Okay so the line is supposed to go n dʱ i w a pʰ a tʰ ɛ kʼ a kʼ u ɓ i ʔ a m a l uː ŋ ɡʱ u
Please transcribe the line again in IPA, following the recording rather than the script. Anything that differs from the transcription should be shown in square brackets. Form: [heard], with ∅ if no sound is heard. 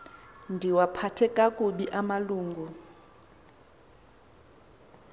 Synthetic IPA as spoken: n dʱ i w a pʰ a tʰ ɛ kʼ a kʼ u ɓ i ʔ a m a l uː ŋ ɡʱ u